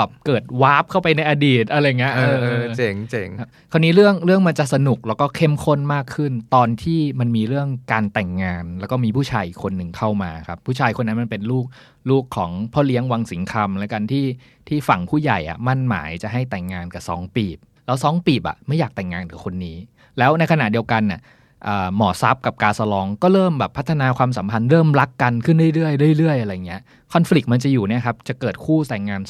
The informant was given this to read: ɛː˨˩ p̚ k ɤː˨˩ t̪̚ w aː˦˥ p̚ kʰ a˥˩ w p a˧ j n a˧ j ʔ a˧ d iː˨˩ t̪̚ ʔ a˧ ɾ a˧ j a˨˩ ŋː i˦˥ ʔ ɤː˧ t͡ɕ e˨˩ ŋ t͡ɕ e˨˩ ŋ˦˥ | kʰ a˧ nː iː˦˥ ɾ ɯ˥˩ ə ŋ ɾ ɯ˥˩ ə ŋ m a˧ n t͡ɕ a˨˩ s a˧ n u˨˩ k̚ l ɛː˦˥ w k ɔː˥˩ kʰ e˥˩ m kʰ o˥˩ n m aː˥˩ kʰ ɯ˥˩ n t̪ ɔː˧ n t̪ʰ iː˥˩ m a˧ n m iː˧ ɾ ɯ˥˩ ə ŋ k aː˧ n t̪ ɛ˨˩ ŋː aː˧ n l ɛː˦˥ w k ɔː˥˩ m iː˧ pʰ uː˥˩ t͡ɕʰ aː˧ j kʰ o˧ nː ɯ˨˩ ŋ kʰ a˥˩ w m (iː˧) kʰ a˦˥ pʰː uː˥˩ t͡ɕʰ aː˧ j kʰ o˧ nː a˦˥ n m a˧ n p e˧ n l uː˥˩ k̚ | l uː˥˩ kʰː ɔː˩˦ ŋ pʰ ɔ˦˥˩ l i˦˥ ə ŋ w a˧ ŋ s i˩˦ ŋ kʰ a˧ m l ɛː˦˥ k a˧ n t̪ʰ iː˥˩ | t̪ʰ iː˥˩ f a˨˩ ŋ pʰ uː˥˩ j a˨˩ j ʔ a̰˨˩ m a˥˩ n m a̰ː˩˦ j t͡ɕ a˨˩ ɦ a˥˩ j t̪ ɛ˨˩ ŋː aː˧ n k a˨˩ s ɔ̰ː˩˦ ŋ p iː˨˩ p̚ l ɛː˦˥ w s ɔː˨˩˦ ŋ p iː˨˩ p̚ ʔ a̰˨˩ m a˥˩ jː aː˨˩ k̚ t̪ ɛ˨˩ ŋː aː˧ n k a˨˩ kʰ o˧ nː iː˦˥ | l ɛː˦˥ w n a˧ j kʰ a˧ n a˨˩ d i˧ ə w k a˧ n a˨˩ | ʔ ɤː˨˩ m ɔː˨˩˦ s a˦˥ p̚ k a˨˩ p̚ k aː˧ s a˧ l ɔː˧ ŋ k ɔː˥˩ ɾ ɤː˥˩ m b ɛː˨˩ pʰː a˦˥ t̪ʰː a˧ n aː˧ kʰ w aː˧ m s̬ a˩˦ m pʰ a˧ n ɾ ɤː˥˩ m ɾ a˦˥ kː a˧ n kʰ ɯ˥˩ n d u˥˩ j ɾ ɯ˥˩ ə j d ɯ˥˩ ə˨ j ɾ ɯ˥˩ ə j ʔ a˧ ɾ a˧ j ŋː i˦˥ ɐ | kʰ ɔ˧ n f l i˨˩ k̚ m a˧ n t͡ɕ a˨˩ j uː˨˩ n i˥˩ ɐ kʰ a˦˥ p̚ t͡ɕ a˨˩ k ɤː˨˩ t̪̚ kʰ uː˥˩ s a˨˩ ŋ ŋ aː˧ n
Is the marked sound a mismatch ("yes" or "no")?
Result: yes